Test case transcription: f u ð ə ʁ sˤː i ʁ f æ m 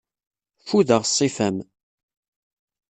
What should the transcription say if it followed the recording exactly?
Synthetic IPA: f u ð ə ʁ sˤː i f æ m

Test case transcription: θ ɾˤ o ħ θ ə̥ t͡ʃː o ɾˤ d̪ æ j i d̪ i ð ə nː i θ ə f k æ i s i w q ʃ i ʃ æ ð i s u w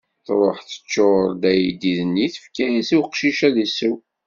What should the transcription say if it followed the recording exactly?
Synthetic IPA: θ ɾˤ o ħ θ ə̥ t͡ʃː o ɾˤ d̪ æ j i d̪ i ð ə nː i θ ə f k æ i s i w q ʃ i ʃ æ ð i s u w

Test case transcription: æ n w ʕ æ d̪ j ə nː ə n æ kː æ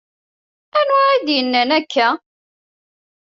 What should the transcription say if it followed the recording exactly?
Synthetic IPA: æ n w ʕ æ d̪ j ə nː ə n æ kː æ

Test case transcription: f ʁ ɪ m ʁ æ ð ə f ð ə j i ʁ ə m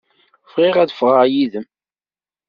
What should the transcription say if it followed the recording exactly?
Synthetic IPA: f ʁ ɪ ʁ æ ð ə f ʁ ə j i ð ə m

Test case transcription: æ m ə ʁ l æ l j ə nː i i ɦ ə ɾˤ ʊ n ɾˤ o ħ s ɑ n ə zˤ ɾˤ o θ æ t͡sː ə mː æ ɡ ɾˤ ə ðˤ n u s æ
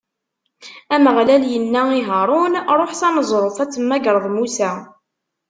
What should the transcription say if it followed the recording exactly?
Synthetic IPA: æ m ə ʁ l æ l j ə nː æ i ɦ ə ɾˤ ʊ n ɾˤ o ħ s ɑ n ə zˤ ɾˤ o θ æ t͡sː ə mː æ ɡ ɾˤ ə ðˤ m u s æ

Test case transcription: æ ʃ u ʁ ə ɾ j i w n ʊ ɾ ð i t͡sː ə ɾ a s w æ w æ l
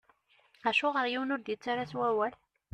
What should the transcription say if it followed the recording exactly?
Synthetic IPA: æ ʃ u ʁ ə ɾ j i w n ʊ ɾ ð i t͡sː a ɾ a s w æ w æ l

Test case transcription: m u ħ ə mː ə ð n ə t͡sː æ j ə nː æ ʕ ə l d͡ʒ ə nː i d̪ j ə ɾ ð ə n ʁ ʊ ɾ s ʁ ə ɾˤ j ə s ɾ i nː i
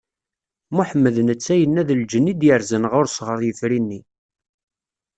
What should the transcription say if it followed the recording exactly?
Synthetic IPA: m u ħ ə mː ə ð n ə t͡sː æ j ə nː æ ð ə l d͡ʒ ə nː i d̪ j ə ɾ z ə n ʁ ʊ ɾ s ʁ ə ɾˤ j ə f ɾ i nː i

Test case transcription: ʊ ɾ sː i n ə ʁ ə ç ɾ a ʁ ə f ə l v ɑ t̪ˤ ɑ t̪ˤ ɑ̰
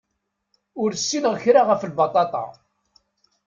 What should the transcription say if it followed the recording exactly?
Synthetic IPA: ʊ ɾ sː i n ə ʁ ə ç ɾ a ʁ ə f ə l b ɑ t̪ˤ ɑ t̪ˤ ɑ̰

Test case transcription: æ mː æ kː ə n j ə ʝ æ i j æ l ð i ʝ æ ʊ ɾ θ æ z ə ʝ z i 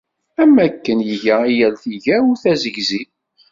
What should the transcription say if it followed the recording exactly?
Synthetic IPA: æ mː æ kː ə n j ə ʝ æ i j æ l θ i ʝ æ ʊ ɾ θ æ z ə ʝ z i

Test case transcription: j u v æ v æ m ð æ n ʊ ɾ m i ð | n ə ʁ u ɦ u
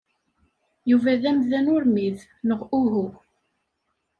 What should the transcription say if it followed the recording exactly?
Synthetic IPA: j u v æ ð æ m ð æ n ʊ ɾ m i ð | n ə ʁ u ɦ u

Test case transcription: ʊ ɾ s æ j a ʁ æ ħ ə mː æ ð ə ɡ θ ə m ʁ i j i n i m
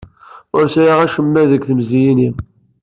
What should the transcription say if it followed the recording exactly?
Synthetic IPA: ʊ ɾ s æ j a ʁ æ ʃ ə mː æ ð ə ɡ θ ə m z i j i n i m

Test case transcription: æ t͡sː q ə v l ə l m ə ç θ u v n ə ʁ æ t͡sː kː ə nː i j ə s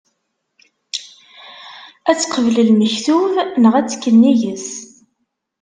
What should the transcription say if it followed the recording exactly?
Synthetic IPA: æ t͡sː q ə v l ə l m ə ç θ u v n ə ʁ æ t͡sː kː ə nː i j ə s

